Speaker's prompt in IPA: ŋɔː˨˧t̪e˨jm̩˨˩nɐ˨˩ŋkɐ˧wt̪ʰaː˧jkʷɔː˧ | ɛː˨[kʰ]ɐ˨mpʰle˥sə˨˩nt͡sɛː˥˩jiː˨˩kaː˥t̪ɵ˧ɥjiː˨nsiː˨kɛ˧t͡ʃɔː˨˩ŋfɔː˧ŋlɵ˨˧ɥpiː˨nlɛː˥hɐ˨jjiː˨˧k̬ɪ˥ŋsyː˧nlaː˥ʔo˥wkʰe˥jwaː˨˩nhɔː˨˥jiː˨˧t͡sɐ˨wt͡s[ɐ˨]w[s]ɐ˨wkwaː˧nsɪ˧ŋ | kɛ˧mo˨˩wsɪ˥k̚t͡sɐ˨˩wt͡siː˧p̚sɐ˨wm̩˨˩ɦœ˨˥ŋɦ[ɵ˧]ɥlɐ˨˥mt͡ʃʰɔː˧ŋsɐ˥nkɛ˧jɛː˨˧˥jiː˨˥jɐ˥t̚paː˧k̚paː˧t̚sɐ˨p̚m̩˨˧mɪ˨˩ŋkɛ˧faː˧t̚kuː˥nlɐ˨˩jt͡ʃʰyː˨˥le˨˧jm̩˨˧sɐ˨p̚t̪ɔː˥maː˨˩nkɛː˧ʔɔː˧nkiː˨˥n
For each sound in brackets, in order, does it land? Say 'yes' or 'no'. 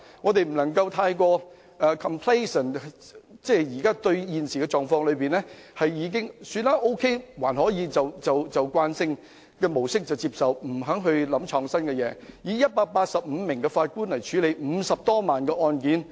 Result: yes, yes, no, yes

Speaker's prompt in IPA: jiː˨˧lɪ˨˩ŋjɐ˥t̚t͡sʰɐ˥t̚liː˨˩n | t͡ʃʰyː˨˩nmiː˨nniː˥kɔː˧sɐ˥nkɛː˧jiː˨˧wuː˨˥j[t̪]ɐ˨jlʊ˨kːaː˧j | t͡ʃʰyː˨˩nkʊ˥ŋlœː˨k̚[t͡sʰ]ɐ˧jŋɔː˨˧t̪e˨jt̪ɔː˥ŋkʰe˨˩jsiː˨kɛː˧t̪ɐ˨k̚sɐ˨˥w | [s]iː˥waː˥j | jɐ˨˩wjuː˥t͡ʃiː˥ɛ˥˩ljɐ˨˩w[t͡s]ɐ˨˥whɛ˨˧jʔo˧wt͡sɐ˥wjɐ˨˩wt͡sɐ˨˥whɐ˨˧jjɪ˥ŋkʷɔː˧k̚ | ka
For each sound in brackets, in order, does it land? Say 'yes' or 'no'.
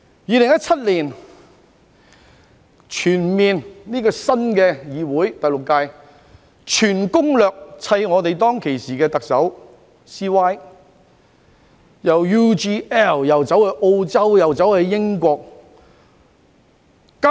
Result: yes, yes, yes, yes

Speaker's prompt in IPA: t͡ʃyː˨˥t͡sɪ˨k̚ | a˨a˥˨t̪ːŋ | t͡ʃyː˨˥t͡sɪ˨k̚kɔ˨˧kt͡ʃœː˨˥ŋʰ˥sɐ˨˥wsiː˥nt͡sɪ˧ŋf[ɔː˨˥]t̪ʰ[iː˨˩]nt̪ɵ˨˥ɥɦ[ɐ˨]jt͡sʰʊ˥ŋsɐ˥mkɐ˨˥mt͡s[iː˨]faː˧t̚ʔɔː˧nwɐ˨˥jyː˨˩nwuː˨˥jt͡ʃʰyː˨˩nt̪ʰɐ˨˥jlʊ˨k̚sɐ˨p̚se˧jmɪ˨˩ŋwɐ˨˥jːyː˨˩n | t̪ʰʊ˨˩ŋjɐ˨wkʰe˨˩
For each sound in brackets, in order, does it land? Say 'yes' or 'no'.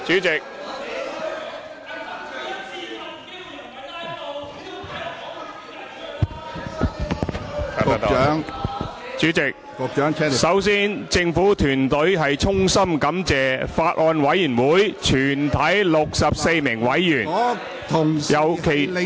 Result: no, no, yes, no

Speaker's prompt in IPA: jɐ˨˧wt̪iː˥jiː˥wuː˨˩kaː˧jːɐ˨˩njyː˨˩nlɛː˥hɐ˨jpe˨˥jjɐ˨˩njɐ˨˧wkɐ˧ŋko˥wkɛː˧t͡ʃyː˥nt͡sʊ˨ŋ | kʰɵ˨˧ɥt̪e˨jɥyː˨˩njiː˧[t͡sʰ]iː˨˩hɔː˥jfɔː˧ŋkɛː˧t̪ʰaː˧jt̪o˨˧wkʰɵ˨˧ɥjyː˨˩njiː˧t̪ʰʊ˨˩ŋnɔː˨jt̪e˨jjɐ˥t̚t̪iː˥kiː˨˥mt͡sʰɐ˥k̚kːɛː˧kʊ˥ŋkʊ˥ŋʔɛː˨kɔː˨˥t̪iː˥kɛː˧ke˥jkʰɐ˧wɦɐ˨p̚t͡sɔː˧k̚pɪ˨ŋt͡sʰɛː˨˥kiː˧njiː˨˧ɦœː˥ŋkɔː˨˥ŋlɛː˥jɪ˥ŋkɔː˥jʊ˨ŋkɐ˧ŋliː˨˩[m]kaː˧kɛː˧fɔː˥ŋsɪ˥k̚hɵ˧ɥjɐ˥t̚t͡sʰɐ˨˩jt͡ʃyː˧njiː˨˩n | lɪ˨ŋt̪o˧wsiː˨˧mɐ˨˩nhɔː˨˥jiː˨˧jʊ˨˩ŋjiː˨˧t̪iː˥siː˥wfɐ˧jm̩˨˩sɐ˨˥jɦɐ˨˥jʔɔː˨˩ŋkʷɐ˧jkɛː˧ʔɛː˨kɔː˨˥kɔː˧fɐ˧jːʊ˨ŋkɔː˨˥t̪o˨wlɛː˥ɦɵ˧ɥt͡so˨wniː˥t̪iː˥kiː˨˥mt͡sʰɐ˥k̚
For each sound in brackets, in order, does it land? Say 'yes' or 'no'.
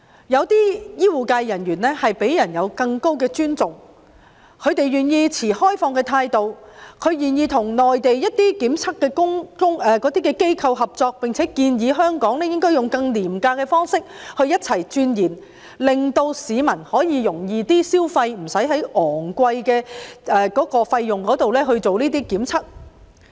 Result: yes, yes

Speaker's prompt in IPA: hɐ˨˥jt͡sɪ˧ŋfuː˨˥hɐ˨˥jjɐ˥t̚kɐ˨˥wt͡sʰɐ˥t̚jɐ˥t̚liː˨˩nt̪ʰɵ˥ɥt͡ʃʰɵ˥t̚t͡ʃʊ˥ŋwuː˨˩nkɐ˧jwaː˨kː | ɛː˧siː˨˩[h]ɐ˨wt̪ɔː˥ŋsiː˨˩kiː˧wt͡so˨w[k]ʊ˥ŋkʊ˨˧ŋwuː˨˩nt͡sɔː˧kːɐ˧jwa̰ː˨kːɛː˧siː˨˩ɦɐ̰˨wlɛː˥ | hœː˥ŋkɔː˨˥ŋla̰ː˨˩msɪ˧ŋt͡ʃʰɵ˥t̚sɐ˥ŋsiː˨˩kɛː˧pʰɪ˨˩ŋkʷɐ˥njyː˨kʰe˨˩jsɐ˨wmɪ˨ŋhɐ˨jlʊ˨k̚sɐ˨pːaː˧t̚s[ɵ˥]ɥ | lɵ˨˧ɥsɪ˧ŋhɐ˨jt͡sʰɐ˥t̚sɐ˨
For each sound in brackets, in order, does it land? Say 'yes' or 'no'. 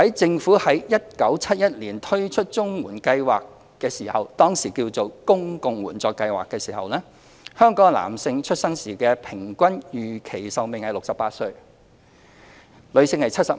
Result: yes, yes, no

